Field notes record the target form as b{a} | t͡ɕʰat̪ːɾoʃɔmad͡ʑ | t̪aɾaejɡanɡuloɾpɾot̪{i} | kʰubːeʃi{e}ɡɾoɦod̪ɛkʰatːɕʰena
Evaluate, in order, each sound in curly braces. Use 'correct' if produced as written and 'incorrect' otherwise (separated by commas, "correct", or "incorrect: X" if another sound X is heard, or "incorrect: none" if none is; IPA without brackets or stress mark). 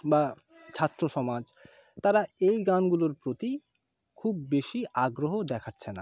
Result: correct, correct, incorrect: a